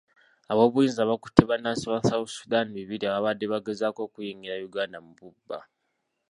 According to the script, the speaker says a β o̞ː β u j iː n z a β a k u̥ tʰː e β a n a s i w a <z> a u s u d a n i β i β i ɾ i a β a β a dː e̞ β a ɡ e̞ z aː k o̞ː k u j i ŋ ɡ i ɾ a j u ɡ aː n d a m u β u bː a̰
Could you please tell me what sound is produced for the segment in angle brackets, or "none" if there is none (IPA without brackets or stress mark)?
s